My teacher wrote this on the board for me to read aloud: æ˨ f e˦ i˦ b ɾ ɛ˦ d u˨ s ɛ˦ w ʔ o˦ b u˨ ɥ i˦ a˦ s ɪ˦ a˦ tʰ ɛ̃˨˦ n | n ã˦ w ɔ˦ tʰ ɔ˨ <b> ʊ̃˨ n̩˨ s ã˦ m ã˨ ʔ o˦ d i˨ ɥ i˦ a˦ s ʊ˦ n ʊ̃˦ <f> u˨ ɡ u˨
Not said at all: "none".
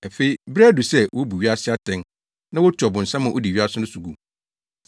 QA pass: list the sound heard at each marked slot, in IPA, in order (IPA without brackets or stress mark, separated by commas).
b, s